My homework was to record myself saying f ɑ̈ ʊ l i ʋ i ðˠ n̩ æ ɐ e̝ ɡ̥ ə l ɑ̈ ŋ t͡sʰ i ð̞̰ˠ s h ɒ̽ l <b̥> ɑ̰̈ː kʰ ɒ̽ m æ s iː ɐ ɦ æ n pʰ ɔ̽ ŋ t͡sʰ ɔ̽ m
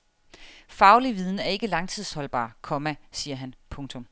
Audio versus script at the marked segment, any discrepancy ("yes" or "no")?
no